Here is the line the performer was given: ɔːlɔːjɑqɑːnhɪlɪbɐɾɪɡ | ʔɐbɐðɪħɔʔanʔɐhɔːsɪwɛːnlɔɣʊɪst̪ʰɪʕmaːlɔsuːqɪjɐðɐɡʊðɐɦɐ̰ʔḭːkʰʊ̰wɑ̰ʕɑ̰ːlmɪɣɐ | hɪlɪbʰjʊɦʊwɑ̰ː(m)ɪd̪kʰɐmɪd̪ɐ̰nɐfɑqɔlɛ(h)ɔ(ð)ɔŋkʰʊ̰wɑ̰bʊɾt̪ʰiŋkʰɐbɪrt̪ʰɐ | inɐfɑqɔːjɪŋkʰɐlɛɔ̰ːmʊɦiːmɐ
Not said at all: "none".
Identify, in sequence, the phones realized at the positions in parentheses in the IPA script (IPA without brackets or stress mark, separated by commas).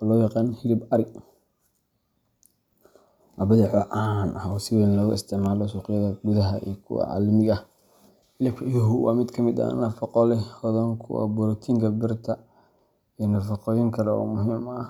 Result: m, h, ð